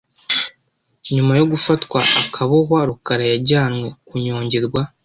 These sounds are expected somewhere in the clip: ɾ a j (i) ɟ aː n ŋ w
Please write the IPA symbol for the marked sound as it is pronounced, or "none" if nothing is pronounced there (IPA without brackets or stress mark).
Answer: a